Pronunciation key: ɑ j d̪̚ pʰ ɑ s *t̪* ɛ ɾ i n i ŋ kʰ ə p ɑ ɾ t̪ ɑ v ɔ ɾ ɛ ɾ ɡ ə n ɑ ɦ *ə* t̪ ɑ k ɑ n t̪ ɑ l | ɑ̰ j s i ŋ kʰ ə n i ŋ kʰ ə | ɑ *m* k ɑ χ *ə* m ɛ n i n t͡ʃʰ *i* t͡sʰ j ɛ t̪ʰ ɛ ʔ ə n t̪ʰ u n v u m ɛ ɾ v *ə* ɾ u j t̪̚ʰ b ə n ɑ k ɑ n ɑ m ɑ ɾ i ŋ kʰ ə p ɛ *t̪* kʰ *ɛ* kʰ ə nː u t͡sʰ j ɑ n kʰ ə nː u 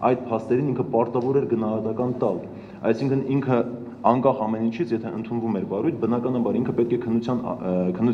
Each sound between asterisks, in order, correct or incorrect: correct, incorrect: ɑ, incorrect: ŋ, incorrect: ɑ, correct, incorrect: ɑ, correct, correct

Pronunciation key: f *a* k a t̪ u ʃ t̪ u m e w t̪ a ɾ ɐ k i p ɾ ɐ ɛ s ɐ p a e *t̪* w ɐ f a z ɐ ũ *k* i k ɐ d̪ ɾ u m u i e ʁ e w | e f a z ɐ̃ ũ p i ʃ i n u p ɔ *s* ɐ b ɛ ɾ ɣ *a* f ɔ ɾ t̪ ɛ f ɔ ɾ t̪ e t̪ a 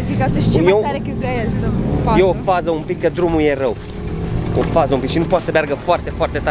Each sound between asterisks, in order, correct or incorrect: incorrect: i, incorrect: none, incorrect: p, correct, incorrect: ɐ

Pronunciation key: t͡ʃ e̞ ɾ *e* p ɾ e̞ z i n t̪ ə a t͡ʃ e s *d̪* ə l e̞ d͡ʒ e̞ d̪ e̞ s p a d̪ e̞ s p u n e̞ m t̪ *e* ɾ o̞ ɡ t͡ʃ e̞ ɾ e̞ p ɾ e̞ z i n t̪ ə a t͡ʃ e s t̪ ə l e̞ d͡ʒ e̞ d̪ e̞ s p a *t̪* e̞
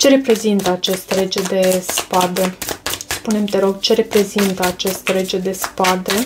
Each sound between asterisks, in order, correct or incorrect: correct, incorrect: t̪, correct, incorrect: d̪

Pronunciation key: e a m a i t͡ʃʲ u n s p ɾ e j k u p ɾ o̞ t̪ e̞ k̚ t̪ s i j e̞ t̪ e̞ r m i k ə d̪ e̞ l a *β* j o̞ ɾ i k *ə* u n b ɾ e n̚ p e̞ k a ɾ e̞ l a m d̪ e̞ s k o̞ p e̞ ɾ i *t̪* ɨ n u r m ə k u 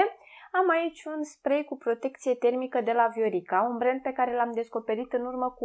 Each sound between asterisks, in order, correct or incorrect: incorrect: v, incorrect: a, correct

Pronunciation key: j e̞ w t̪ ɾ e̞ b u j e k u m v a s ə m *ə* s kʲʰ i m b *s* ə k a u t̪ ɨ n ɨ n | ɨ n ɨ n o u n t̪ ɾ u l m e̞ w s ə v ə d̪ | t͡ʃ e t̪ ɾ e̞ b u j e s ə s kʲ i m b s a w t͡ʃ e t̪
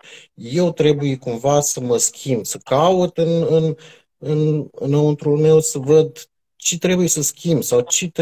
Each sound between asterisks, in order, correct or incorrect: correct, correct

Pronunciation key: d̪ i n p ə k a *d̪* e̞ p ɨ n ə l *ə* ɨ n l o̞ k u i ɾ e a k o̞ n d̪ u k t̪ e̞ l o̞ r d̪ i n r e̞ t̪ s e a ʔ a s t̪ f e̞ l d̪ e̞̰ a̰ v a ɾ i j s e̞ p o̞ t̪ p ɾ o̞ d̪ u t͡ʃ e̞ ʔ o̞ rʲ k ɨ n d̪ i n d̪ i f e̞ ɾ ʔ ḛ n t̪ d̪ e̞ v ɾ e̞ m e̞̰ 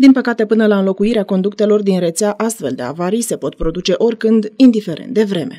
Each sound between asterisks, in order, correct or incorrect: incorrect: t̪, incorrect: a

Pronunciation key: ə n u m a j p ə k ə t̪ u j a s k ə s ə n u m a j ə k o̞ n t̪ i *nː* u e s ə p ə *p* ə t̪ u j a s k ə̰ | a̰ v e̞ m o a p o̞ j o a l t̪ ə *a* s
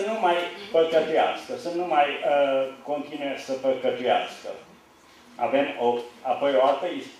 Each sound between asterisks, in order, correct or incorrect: incorrect: n, incorrect: k, incorrect: i

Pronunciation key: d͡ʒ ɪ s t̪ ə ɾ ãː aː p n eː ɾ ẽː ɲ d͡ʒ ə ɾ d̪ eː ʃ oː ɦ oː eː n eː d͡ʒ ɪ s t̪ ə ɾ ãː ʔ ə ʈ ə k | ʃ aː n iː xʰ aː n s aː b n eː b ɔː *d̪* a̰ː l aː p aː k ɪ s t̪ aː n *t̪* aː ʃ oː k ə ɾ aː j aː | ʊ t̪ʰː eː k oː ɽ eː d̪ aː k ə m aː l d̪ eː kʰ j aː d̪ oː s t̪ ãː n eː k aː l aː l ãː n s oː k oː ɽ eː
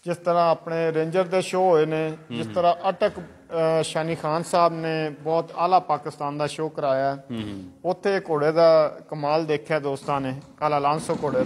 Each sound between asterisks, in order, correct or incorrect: incorrect: t̪, incorrect: d̪

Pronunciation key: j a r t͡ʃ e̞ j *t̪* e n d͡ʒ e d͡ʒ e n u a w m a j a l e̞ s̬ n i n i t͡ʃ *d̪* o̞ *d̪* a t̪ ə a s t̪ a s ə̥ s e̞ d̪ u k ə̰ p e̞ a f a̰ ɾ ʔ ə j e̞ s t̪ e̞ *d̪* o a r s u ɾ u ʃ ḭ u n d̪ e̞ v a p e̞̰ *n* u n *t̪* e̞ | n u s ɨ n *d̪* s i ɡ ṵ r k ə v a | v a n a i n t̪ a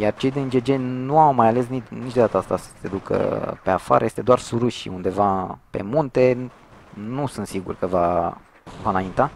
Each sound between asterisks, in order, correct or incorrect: incorrect: d̪, correct, correct, correct, incorrect: m, correct, incorrect: t̪

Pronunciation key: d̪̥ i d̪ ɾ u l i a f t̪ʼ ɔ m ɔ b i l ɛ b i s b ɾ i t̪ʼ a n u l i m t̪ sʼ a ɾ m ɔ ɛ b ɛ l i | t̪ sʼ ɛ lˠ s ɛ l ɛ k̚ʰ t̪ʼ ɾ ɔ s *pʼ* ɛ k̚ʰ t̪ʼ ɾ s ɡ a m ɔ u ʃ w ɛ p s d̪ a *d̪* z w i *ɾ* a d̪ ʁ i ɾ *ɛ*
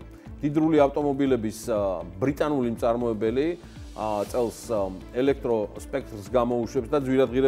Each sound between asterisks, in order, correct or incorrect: correct, correct, correct, correct

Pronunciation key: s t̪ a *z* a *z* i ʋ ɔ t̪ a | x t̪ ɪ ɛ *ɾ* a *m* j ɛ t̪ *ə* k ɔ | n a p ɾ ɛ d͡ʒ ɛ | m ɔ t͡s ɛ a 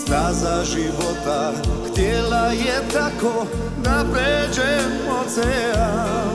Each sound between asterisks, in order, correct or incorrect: correct, incorrect: ʒ, incorrect: l, incorrect: none, incorrect: a

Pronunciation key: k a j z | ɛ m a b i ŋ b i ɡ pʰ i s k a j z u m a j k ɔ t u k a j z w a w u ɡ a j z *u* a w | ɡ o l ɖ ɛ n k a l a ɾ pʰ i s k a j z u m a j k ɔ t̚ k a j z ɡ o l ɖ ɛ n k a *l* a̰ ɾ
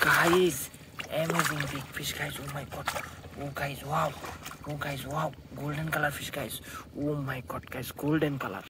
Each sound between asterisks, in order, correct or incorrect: incorrect: w, correct

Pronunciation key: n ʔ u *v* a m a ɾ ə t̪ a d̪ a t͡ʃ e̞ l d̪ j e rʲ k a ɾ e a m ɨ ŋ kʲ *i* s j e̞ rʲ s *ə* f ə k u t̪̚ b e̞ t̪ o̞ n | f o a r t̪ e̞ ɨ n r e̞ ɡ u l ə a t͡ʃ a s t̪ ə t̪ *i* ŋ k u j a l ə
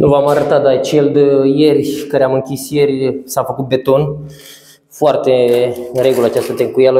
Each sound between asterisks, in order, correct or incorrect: correct, correct, incorrect: a, incorrect: e

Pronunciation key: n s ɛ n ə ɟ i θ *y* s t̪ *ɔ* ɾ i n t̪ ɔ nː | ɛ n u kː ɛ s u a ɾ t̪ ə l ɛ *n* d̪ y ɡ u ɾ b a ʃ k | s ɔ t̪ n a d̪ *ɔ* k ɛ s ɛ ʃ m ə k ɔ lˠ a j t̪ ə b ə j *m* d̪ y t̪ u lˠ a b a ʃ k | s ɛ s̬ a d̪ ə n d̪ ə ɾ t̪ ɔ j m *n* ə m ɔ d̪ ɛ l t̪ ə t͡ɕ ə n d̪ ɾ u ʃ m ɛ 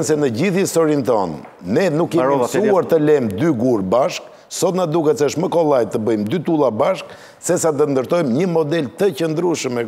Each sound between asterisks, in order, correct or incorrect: incorrect: i, correct, incorrect: m, incorrect: u, correct, incorrect: ɲ

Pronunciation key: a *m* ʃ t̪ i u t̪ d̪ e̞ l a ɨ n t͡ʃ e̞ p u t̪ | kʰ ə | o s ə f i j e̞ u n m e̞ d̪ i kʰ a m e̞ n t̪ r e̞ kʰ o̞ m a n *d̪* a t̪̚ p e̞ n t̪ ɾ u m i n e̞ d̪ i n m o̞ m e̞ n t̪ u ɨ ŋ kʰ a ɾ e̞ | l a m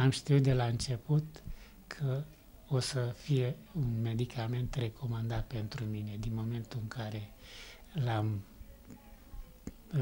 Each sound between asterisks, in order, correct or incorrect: correct, correct

